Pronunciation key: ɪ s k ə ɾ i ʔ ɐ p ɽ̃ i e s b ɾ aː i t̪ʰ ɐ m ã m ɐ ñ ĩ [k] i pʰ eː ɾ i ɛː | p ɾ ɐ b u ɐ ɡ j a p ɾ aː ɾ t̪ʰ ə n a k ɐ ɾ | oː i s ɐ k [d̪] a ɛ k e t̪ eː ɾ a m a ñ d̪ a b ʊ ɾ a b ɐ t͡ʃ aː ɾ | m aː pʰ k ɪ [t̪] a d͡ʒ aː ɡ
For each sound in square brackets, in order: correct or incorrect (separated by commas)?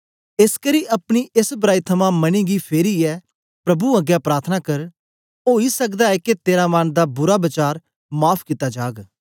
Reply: incorrect, correct, correct